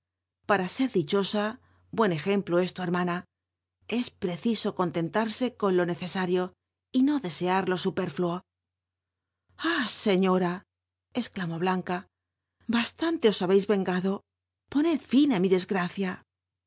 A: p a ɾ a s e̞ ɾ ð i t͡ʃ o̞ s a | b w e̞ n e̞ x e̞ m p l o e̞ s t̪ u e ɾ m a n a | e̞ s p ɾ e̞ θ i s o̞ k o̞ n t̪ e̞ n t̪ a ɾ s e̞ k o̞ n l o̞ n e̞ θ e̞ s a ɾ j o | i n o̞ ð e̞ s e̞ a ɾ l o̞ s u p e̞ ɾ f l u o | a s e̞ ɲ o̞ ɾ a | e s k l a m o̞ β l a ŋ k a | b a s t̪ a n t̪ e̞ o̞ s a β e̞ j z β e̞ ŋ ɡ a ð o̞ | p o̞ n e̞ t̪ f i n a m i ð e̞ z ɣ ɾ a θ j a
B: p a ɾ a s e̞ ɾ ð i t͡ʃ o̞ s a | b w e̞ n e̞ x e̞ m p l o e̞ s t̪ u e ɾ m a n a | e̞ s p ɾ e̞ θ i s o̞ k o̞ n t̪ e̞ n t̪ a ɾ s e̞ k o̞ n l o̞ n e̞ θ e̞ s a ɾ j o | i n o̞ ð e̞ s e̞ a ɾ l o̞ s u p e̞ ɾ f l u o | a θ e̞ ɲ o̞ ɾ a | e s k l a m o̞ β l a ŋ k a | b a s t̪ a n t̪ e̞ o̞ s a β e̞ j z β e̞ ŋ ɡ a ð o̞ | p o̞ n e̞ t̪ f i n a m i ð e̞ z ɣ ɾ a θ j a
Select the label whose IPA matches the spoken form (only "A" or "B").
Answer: A